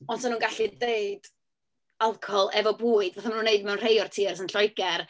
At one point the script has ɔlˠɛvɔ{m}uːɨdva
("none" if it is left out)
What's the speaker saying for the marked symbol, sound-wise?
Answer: b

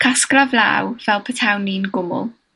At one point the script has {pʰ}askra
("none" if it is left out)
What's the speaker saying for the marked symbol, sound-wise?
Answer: kʰ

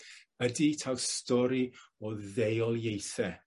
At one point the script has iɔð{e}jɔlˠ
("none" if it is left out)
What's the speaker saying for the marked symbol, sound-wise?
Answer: e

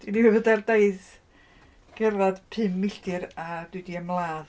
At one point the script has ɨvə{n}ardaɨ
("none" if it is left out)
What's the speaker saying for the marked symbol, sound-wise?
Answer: d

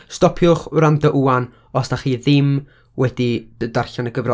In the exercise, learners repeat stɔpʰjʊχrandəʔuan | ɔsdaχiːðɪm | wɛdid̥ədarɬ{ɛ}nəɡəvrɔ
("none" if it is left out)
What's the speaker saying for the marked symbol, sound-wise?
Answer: a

